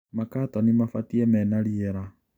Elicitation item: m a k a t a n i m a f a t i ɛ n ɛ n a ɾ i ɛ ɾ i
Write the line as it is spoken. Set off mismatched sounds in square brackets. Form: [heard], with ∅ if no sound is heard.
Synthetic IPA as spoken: m a k a t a n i m a f a t i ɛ [m] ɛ n a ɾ i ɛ ɾ [a]

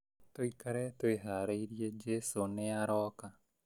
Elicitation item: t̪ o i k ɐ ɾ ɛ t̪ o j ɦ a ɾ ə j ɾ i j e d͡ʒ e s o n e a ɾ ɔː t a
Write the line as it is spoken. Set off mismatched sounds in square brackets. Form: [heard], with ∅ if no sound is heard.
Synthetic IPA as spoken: t̪ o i k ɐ ɾ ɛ t̪ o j ɦ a ɾ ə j ɾ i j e d͡ʒ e s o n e a ɾ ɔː [k] a

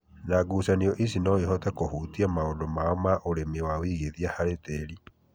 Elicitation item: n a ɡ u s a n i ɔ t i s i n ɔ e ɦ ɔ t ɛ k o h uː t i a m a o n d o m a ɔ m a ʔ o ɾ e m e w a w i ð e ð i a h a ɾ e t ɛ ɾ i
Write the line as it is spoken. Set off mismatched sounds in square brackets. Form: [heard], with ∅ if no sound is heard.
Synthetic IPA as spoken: n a ɡ u s a n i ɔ [ʔ] i s i n ɔ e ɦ ɔ t ɛ k o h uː t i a m a o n d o m a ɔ m a ʔ o ɾ e m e w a w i [ɣ] e ð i a h a ɾ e t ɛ ɾ i

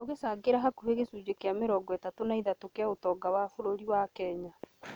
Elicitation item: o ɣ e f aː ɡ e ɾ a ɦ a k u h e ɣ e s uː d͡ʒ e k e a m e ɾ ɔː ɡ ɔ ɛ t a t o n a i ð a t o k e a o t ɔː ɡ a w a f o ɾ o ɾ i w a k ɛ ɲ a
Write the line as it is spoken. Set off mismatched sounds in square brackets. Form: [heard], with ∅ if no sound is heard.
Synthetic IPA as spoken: o ɣ e [s] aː ɡ e ɾ a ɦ a k u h e ɣ e s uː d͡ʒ e k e a m e ɾ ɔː ɡ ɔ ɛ t a t o n a i ð a t o k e a o t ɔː ɡ a w a f o ɾ o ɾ i w a k ɛ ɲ a

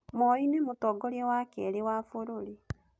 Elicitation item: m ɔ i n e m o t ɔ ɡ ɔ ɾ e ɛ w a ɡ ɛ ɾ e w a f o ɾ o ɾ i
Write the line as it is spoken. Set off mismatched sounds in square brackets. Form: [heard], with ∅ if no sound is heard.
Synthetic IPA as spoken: m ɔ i n e m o t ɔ ɡ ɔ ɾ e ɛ w a [k] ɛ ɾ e w a f o ɾ o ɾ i

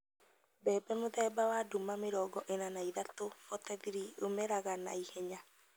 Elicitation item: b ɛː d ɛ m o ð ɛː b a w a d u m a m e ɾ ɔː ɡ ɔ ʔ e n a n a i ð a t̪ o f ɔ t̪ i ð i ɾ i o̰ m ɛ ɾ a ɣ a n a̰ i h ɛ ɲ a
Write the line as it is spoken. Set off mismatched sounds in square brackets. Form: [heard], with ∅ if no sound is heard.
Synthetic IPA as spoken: b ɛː [b] ɛ m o ð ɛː b a w a d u m a m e ɾ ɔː ɡ ɔ ʔ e n a n a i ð a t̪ o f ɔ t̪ [ɛ] ð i ɾ i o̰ m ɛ ɾ a ɣ a n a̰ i h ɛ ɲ a

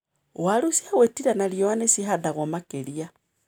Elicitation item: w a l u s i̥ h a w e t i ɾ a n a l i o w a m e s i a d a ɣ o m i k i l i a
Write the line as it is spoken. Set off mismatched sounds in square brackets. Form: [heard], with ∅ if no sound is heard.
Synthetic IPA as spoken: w a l u s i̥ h a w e t i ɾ a n a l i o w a [n] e s i a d a ɣ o m [a] k [e] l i a

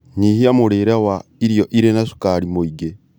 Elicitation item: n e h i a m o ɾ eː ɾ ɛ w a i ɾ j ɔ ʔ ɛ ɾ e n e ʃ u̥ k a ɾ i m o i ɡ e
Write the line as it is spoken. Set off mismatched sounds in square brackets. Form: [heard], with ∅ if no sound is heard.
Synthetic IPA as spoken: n [i] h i a m o ɾ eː ɾ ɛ w a i ɾ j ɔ ʔ [i] ɾ e n [a] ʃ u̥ k a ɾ i m o i ɡ e

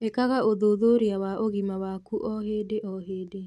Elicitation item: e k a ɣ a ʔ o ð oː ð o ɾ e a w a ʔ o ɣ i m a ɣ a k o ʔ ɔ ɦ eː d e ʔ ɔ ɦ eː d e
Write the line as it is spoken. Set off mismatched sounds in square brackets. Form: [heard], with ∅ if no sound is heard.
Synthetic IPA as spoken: e k a ɣ a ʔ o ð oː ð o ɾ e a w a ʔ o ɣ i m a [w] a k [u] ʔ ɔ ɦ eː d e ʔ ɔ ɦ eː d e

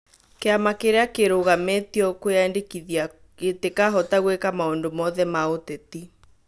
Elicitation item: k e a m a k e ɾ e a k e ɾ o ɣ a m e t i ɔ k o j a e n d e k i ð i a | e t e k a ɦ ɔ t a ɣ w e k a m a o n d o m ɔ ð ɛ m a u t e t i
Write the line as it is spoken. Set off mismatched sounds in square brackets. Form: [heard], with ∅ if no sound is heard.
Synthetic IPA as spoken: k e a m a k e ɾ e a k e ɾ o ɣ a m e t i ɔ k o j a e n d e k i ð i a | e t e k a ɦ ɔ t a ɣ w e k a m a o n d o m ɔ ð ɛ m a [o] t e t i

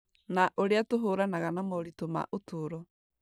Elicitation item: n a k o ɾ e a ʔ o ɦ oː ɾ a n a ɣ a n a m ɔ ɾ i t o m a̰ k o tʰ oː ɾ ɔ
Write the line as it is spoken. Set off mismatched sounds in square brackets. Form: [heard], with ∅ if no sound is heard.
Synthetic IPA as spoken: n a [ʔ] o ɾ e a [t] o ɦ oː ɾ a n a ɣ a n a m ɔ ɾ i t o m a̰ [ʔ] o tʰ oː ɾ ɔ

